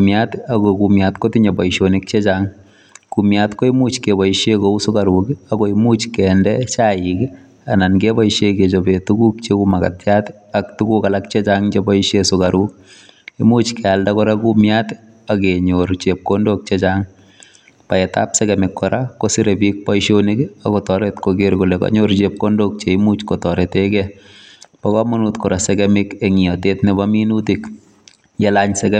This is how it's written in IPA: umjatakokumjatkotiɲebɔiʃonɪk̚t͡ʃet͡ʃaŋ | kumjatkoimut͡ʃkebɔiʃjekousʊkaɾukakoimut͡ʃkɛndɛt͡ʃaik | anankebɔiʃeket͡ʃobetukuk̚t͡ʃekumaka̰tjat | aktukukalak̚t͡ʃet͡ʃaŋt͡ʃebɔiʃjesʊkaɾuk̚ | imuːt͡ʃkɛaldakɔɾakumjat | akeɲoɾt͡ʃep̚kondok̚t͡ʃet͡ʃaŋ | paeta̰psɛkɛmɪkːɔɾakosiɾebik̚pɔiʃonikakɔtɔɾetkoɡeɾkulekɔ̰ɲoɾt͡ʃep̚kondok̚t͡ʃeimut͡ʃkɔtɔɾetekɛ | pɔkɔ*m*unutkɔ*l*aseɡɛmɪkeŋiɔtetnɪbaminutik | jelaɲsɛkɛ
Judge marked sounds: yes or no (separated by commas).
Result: yes, no